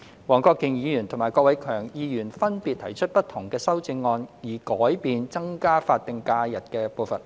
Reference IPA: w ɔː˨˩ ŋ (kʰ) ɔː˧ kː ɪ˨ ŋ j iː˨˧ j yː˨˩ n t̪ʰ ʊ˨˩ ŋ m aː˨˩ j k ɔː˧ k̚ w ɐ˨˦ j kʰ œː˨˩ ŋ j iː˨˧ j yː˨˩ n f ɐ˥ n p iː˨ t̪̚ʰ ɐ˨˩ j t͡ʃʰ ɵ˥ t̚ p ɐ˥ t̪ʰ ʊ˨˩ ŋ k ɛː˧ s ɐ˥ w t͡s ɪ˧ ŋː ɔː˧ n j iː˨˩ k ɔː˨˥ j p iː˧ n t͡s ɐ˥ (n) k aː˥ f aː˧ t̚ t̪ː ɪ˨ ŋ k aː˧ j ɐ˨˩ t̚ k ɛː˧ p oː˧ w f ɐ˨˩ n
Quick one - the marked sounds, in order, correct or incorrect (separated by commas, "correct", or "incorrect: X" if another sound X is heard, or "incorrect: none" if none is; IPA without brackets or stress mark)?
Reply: incorrect: k, incorrect: ŋ